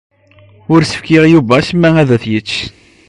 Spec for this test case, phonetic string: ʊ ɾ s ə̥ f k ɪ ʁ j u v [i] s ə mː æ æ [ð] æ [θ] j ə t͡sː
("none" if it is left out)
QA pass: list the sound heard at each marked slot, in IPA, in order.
æ, ð, θ

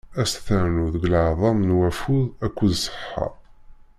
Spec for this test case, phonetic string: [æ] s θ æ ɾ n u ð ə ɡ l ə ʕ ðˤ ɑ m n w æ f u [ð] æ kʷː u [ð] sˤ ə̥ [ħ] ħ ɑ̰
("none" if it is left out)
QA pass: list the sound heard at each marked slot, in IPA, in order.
æ, ð, ð, ħ

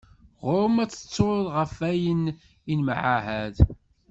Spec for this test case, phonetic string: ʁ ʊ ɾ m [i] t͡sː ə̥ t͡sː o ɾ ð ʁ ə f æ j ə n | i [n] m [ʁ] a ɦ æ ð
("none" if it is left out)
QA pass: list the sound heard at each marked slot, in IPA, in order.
æ, n, ʕ

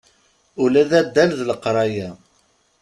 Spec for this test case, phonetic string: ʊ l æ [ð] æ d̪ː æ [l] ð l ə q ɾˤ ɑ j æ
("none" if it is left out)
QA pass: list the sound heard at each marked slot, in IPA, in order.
ð, l

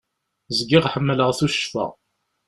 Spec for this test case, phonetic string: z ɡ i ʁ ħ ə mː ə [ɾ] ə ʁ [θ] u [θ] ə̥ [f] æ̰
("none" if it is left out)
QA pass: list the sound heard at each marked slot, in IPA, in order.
l, θ, ʃ, f

